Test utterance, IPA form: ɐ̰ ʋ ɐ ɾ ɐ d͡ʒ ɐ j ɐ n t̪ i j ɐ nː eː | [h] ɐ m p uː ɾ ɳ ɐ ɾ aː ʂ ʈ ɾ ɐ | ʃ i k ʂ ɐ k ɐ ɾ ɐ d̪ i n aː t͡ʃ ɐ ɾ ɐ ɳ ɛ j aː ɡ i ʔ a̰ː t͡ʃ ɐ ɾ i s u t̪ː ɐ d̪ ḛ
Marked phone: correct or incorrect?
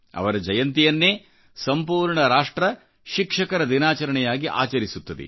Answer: incorrect